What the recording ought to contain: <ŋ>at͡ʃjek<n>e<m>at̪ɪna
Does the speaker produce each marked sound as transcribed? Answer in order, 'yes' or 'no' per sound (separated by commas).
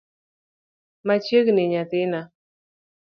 no, yes, no